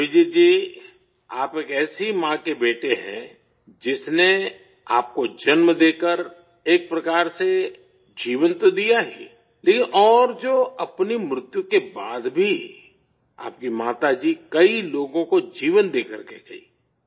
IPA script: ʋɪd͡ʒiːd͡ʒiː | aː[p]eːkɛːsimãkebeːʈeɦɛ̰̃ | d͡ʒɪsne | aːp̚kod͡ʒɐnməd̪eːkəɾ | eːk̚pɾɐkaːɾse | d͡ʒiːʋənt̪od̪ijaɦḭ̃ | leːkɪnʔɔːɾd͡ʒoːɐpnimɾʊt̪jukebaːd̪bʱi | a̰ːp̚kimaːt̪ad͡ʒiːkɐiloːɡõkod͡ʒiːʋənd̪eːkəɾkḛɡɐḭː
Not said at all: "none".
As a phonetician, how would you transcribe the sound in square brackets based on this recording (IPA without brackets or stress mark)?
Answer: p